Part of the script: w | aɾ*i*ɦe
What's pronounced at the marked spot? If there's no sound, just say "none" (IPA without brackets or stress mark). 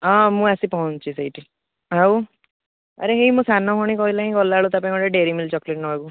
e